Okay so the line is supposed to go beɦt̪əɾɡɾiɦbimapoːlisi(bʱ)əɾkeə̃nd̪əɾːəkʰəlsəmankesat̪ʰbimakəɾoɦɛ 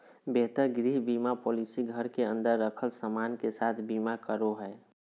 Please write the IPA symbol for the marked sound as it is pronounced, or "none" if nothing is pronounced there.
ɡʱ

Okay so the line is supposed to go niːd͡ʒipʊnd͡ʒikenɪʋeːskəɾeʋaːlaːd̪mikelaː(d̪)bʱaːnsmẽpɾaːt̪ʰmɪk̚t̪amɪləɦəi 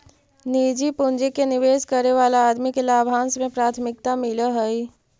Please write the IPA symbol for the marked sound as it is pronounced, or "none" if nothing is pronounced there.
none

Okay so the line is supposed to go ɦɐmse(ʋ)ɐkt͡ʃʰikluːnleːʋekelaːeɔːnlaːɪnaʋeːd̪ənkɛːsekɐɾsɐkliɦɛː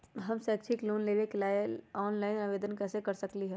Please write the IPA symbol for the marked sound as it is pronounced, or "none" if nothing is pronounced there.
none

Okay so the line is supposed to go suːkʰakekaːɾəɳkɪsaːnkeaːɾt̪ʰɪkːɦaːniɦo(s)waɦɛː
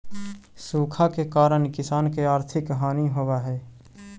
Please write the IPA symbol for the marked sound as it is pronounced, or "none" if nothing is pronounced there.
none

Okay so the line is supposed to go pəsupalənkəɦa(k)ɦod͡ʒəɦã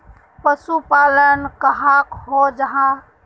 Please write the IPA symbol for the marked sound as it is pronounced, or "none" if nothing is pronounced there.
k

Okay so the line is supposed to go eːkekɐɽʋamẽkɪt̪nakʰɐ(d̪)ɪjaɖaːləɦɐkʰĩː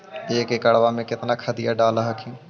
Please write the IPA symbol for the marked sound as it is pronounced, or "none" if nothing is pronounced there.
d̪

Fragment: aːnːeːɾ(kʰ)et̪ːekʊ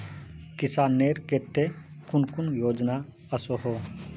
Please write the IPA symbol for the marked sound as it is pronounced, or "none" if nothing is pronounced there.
k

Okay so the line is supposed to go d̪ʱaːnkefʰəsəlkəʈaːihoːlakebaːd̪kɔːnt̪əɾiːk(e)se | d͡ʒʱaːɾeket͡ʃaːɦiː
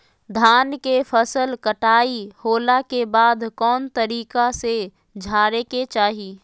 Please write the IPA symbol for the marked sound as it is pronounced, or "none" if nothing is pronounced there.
a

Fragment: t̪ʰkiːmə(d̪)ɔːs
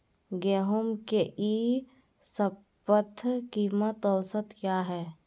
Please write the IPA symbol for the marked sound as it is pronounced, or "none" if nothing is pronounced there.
t̪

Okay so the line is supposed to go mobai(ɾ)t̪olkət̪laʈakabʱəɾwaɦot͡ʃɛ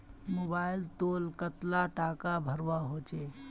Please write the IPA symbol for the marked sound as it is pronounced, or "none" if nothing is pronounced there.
l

